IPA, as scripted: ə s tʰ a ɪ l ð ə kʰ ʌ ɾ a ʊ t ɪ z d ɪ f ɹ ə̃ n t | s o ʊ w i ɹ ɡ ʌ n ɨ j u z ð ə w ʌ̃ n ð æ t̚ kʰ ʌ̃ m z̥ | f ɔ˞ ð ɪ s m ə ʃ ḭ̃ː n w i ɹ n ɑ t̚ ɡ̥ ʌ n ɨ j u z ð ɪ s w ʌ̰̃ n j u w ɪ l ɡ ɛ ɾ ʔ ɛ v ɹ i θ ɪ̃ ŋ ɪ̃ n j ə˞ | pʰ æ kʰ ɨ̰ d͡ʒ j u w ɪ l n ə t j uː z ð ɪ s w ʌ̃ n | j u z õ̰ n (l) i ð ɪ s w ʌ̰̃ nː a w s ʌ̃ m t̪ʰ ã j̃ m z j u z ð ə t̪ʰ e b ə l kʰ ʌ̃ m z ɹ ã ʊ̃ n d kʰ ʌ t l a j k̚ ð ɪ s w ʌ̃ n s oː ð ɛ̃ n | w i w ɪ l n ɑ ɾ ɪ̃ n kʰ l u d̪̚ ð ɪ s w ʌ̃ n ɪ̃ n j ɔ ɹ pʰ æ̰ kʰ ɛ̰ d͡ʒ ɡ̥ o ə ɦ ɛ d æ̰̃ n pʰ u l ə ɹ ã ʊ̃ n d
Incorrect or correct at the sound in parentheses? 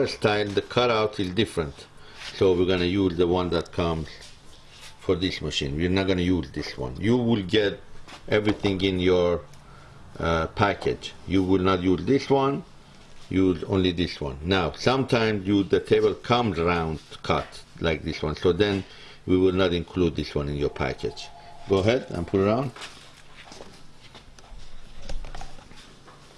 correct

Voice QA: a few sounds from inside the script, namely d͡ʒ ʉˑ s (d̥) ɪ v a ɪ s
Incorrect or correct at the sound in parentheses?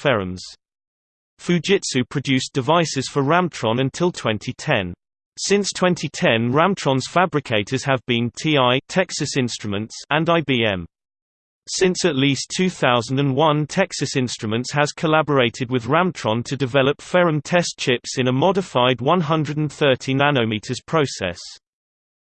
correct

